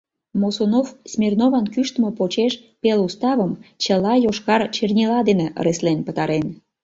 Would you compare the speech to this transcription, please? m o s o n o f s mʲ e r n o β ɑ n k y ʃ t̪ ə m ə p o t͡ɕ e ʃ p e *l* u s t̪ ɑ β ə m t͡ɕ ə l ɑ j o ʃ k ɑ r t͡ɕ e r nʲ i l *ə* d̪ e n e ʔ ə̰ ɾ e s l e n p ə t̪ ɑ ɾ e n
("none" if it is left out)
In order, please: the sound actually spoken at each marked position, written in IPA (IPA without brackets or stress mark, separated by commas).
l, ɑ